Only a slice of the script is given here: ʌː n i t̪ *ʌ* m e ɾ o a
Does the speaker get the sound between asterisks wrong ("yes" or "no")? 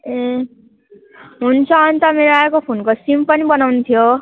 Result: no